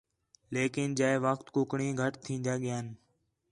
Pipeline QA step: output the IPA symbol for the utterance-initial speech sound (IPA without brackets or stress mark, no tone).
l